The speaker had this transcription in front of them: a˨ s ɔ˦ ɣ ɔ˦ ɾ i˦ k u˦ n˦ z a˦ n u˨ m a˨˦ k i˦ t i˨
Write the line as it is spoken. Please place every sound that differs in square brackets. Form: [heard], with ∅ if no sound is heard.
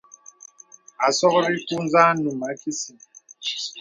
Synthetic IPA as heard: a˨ s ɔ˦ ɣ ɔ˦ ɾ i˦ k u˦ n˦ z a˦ n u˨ m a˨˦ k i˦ [s] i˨